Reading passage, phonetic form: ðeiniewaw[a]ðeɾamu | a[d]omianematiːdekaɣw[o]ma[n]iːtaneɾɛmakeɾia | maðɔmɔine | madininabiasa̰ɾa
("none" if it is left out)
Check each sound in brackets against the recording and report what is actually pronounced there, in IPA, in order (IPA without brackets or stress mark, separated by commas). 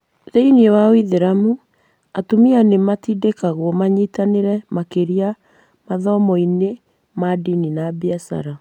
i, t, ɔ, ɲ